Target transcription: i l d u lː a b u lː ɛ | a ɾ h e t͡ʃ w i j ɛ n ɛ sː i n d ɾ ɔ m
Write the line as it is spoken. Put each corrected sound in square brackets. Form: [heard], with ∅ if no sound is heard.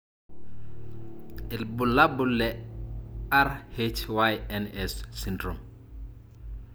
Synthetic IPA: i l [b] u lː a b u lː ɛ | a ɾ h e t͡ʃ w [a] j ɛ n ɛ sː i n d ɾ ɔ m